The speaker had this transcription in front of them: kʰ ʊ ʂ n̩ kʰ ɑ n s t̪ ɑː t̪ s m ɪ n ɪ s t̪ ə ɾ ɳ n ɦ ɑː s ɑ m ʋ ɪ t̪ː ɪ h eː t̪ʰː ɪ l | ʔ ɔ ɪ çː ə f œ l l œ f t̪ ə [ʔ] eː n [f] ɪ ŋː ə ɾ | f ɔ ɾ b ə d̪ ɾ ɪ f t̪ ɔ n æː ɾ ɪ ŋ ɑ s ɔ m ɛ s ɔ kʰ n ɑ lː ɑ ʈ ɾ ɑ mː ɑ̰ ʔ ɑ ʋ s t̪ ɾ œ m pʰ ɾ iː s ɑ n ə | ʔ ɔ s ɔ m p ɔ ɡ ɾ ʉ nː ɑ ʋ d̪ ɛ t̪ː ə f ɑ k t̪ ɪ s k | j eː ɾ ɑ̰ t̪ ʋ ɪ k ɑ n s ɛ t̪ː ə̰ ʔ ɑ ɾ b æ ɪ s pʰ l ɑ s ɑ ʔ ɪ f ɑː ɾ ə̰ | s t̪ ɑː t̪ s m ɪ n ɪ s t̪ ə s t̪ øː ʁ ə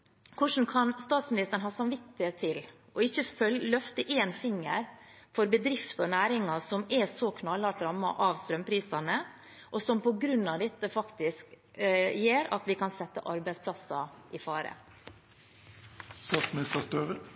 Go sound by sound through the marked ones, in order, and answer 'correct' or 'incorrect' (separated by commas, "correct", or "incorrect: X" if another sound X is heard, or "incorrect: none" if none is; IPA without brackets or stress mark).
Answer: correct, correct